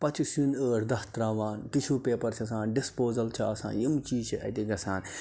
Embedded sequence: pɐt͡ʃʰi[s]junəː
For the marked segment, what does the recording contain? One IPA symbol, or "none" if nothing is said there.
s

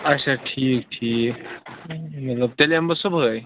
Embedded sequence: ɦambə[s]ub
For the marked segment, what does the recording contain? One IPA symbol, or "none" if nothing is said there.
s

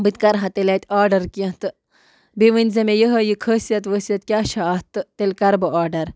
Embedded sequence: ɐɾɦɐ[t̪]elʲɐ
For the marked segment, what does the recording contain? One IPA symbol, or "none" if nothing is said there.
t̪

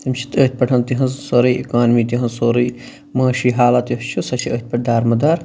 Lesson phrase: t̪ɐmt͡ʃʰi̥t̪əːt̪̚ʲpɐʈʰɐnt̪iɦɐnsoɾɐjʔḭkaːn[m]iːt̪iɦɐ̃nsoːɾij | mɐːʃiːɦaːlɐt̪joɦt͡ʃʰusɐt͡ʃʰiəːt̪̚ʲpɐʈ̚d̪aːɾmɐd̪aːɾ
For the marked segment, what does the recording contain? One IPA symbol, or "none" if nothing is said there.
m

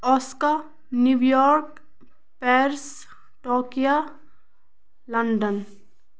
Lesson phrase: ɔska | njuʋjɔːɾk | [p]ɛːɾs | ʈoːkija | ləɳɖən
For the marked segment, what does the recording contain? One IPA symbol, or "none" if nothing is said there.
p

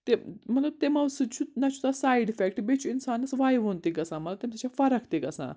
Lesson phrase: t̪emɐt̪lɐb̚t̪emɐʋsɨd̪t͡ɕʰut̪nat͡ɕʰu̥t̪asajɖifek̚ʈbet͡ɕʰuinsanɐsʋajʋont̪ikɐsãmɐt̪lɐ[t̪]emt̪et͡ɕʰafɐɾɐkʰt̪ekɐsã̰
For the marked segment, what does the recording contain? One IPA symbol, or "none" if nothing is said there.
t̪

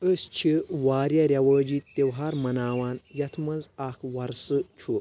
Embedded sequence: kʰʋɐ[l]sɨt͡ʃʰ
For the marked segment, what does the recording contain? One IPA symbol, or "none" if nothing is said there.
ɾ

